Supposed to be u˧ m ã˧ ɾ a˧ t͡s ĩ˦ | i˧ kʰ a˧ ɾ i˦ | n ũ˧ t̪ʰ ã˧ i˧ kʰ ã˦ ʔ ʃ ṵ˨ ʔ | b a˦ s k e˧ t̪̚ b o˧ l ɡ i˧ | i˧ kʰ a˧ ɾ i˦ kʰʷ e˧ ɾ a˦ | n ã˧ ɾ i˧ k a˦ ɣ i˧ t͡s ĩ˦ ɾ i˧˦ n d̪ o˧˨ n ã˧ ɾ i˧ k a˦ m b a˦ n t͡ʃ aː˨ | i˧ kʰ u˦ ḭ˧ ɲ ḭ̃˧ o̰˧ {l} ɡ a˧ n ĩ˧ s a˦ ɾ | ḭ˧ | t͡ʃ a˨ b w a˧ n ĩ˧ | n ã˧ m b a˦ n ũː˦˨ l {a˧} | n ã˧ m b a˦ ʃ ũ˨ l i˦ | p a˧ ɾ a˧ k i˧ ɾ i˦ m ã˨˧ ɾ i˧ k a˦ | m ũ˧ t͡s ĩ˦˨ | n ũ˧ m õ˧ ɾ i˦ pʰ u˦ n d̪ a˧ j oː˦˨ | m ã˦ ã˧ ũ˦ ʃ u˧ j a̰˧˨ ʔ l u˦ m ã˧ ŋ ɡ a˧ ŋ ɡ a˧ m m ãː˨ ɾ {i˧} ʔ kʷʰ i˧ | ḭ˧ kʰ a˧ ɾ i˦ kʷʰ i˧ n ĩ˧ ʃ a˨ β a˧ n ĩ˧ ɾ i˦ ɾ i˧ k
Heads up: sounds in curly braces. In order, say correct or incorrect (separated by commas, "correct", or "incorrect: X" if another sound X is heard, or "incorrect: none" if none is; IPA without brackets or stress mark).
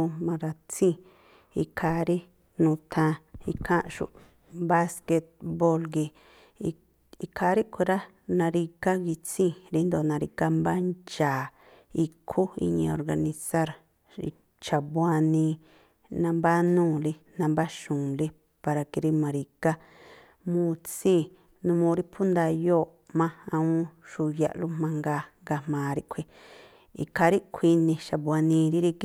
incorrect: ɾ, incorrect: i˧, correct